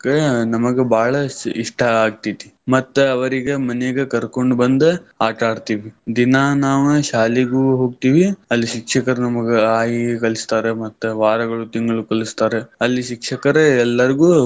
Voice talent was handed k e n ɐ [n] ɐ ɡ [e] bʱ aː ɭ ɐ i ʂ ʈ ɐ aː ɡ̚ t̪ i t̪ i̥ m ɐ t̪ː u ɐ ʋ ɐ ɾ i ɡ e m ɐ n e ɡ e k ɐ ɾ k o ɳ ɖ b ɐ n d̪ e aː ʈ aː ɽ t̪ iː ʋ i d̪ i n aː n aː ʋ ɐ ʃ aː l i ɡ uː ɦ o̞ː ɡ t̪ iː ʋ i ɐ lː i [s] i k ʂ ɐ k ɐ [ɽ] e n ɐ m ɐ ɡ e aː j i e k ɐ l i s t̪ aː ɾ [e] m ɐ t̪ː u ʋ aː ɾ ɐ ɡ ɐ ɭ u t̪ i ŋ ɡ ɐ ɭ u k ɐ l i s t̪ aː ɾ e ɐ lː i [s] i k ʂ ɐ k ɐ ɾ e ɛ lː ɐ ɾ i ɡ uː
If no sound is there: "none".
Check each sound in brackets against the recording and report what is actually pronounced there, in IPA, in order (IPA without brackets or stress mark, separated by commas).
m, e, ʃ, ɾ, e, ʃ